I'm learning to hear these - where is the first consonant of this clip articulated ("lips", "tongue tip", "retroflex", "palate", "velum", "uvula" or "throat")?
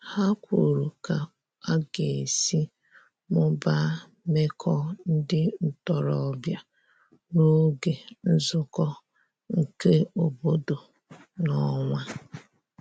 throat